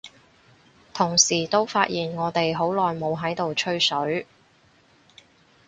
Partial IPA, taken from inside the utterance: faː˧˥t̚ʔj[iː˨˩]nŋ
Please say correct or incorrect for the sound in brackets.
correct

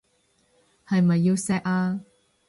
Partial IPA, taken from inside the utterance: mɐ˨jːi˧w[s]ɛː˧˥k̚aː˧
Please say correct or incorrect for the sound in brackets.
correct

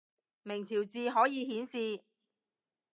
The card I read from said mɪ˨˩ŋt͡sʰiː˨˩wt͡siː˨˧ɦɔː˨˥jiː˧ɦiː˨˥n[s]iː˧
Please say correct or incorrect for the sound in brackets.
correct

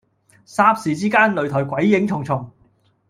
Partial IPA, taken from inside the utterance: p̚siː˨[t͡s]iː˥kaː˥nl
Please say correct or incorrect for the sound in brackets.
correct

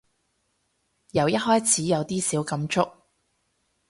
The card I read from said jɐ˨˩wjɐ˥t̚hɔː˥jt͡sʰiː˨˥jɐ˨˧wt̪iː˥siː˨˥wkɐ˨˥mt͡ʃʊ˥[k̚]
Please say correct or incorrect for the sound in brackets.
correct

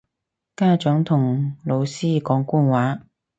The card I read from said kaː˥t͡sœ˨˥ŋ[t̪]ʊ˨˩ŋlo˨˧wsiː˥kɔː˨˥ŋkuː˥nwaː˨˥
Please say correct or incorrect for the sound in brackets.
incorrect: t̪ʰ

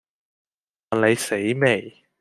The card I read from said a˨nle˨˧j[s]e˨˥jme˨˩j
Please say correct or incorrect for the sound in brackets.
correct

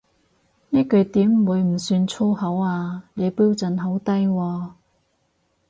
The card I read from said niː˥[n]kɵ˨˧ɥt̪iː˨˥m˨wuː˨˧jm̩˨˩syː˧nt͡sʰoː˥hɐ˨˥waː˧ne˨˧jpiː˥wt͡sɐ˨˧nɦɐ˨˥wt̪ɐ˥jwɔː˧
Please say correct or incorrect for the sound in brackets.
incorrect: none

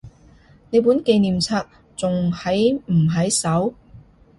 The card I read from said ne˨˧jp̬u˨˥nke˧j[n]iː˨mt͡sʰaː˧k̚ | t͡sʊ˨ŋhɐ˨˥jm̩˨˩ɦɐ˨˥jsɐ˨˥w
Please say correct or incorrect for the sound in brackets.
correct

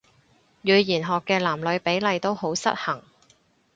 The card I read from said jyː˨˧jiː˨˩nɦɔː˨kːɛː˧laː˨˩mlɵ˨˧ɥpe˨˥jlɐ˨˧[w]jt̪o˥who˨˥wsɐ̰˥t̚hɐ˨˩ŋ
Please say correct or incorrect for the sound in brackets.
incorrect: none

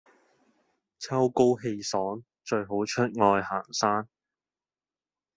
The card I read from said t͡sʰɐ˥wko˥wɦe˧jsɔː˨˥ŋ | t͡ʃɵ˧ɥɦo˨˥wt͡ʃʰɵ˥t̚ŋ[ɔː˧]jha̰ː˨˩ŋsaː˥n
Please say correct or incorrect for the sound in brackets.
correct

